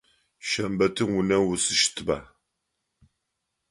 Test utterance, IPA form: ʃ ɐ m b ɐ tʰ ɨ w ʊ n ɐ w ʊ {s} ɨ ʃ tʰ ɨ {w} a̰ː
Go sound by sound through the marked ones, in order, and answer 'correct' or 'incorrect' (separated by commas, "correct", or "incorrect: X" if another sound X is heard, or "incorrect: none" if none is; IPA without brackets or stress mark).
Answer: correct, incorrect: b